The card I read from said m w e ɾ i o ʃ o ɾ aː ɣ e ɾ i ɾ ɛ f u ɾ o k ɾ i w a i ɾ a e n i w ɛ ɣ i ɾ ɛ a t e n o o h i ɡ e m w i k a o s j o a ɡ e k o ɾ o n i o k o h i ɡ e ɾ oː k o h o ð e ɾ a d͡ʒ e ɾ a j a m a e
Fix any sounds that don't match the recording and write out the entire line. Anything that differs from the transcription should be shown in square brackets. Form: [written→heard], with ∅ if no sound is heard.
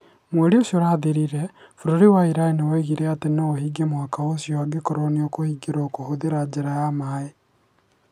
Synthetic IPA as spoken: m w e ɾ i o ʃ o ɾ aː [ɣ→ð] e ɾ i ɾ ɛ f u ɾ o [k→∅] ɾ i w a i ɾ a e n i w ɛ ɣ i ɾ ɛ a t e n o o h i ɡ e m w [i→a] k a o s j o a ɡ e k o ɾ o n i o k o h i ɡ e ɾ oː k o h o ð e ɾ a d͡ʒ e ɾ a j a m a e